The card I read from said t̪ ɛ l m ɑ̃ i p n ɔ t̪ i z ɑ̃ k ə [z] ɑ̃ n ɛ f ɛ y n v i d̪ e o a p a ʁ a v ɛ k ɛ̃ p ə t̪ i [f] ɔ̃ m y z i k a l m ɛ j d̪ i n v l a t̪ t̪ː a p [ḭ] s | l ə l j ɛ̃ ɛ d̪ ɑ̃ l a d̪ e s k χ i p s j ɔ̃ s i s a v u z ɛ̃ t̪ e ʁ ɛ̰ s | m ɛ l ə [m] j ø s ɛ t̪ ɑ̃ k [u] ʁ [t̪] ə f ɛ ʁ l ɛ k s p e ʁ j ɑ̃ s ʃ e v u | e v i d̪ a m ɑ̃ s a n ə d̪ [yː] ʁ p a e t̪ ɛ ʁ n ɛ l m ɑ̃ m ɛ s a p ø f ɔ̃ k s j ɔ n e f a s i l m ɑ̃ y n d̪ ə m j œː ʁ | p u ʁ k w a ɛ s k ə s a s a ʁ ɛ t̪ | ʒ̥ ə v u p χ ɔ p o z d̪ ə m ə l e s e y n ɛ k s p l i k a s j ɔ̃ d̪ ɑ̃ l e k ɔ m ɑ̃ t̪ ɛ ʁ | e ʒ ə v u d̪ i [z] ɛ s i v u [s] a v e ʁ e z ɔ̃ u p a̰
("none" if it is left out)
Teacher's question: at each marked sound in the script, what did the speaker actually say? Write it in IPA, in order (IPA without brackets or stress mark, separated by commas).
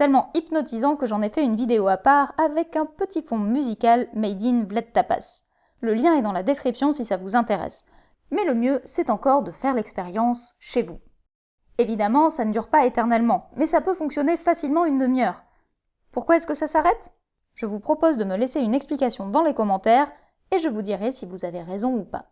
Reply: ʒ, f, a̰, m, ɔ, d̪, y, ʁ, z